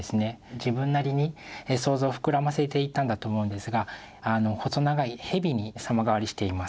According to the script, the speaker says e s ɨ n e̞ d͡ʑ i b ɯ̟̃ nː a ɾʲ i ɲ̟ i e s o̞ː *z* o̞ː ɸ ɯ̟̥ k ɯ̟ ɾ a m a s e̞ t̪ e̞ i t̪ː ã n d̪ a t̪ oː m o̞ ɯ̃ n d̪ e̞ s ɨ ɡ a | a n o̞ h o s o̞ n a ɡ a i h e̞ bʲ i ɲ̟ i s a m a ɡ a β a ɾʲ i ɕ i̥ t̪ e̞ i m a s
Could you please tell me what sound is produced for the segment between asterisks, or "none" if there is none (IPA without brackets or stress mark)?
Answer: z